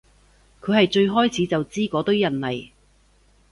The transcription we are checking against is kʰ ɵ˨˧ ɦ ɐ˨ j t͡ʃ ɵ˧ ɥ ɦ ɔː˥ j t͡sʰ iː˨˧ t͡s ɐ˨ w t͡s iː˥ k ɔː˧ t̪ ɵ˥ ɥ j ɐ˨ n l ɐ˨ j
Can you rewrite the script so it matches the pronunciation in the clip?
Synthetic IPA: kʰ ɵ˨˧ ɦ ɐ˨ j t͡ʃ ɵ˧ ɥ ɦ ɔː˥ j t͡sʰ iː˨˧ t͡s ɐ˨ w t͡s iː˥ k ɔː˨˥ t̪ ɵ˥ ɥ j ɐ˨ n l ɐ˨ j